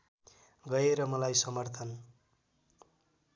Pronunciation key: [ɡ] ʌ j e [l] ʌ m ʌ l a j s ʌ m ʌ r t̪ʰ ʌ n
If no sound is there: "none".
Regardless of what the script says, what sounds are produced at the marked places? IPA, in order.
ɡ, ɾ

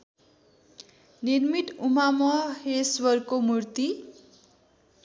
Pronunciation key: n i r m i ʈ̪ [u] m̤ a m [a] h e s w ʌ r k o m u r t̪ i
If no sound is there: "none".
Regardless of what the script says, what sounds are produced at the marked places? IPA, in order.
u, ʌ

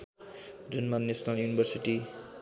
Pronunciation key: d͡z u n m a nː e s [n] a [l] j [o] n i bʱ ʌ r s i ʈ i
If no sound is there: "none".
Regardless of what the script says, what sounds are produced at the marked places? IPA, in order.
n, l, u

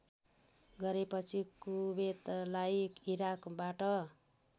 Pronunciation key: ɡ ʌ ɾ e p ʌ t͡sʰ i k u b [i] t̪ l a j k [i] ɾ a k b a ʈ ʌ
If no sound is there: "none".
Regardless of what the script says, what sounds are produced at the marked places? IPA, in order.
e, i

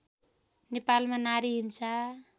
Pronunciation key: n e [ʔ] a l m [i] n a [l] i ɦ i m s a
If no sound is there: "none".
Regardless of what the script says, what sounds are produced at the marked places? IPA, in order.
p, a, ɾ

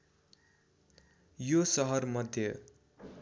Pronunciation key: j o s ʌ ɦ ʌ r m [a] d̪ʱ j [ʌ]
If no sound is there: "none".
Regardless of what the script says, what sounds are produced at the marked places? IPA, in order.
ʌ, ʌ

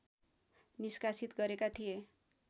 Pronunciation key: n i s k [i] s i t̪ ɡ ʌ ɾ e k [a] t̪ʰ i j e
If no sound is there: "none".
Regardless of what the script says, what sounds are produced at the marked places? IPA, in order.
a, a

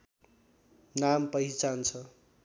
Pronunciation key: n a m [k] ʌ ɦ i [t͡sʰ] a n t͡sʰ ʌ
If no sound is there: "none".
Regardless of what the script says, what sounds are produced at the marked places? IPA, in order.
p, t͡s

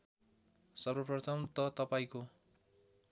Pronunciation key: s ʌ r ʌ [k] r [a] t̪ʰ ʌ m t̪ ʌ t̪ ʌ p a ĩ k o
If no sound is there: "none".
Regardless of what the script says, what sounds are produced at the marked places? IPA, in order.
p, ʌ

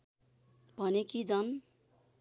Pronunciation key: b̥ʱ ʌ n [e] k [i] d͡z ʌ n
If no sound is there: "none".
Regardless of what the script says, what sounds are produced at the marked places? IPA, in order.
e, i

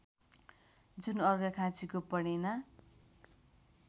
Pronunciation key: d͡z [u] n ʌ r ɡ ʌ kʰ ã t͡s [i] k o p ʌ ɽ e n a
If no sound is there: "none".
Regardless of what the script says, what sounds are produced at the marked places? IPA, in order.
u, i

